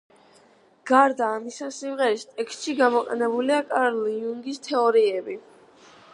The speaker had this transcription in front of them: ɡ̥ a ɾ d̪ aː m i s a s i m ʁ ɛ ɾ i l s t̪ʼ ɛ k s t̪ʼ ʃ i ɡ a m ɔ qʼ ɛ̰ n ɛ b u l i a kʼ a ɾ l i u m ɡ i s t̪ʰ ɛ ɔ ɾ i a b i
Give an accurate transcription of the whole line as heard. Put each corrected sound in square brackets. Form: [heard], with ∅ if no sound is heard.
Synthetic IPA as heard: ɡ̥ a ɾ d̪ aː m i s a s i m ʁ ɛ ɾ i [∅] s t̪ʼ ɛ k s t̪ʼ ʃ i ɡ a m ɔ qʼ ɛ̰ n ɛ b u l i a kʼ a ɾ l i u [ŋ] ɡ i s t̪ʰ ɛ ɔ ɾ i [ɛ] b i